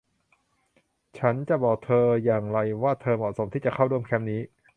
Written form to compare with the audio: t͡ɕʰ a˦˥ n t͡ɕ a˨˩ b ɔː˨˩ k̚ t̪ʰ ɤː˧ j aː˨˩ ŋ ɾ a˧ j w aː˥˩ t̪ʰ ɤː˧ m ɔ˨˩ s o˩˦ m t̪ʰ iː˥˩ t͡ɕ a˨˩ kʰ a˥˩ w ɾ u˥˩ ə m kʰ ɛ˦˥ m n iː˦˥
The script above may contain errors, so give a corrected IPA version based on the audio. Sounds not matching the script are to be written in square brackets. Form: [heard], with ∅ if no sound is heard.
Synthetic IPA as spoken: t͡ɕʰ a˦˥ n t͡ɕ a˨˩ b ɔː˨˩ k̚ t̪ʰ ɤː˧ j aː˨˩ ŋ ɾ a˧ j w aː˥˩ t̪ʰ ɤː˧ m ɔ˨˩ s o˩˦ m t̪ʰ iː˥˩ t͡ɕ a˨˩ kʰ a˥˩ w ɾ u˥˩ ə m kʰ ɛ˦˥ m n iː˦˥